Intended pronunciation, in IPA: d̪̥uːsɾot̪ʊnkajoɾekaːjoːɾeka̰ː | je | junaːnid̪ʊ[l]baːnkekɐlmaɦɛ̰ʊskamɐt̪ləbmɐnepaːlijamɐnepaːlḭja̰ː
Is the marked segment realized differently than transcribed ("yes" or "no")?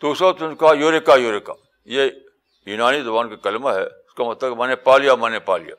yes